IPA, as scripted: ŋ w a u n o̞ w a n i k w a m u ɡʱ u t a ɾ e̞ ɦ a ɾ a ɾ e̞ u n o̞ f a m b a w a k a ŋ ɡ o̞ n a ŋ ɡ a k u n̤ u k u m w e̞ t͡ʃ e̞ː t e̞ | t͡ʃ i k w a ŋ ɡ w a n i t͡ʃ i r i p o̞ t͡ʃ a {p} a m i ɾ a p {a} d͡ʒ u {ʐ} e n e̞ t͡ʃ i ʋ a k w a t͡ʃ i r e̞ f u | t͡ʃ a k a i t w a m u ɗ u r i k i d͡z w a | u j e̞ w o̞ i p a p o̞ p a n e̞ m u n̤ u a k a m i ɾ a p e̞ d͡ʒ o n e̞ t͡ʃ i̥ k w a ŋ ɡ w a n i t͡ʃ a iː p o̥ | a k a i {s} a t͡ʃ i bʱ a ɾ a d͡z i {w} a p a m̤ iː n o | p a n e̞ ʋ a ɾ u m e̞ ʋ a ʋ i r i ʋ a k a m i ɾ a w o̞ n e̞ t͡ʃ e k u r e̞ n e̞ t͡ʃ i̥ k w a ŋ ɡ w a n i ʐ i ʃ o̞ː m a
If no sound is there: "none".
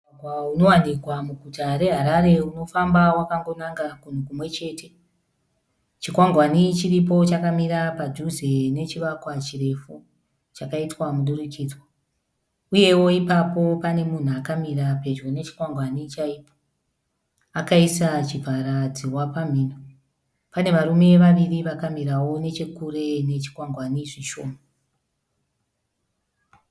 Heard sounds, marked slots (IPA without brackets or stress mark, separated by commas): k, a, z, s, w